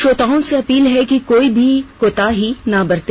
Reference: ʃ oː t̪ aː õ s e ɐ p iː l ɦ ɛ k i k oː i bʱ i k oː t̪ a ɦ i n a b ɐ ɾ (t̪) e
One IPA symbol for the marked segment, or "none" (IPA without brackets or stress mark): t̪